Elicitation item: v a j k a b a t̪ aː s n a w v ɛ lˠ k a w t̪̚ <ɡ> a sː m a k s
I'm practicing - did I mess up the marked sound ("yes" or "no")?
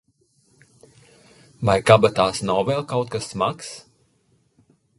yes